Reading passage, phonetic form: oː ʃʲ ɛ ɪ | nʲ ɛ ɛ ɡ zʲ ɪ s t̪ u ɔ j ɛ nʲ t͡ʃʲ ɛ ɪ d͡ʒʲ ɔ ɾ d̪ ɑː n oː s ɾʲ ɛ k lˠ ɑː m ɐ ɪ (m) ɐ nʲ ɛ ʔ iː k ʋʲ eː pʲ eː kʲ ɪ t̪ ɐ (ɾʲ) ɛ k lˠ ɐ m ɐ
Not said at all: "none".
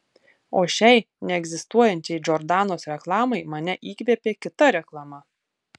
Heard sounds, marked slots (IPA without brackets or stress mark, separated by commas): m, ɾʲ